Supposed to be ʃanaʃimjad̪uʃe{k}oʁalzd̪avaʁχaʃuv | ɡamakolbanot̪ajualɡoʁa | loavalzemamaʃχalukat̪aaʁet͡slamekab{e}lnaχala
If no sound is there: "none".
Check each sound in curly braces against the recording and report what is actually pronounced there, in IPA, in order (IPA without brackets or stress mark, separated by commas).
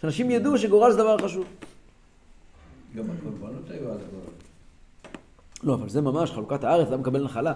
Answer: ɡ, e